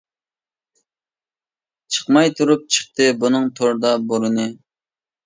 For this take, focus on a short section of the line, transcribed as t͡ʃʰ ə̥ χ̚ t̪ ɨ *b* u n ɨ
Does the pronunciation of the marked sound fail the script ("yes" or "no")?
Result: no